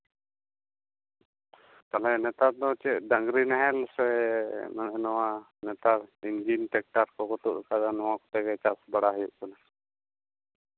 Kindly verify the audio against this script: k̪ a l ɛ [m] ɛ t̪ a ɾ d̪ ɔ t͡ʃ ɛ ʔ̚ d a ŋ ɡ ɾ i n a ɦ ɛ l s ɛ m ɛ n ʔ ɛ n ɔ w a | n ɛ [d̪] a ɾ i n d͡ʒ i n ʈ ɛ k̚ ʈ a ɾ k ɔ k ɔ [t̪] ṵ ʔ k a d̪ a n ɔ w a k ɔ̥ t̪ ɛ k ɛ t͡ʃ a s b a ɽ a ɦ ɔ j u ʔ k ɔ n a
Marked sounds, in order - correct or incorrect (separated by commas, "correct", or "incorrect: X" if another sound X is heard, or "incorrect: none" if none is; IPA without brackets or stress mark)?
incorrect: n, incorrect: t̪, correct